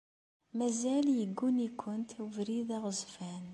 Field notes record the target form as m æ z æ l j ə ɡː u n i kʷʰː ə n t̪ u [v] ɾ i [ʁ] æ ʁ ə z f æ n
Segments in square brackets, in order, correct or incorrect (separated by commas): correct, incorrect